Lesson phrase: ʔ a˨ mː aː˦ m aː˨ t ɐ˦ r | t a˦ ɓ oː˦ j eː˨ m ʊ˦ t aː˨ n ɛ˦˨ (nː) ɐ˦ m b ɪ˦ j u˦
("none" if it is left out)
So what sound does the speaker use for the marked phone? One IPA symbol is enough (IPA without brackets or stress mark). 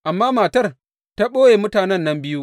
nː